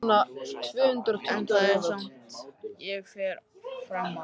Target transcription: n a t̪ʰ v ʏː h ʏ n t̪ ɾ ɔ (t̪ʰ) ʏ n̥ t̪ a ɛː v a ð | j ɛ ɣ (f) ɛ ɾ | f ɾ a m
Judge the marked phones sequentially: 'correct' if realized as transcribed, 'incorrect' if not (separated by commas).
correct, correct